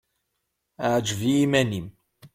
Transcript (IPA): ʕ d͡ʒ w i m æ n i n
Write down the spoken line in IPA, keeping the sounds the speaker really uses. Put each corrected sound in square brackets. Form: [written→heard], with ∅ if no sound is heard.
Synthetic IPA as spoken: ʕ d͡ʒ [w→v] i m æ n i [n→m]